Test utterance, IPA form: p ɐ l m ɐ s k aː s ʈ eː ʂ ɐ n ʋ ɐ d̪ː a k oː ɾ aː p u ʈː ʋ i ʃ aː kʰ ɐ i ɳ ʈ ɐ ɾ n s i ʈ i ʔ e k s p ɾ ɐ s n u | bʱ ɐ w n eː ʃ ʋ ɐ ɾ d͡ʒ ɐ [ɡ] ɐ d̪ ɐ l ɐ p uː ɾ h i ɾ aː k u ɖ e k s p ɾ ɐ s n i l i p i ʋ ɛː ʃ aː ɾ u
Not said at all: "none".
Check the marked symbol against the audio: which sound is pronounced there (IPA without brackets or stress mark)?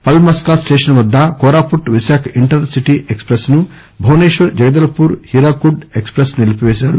ɡ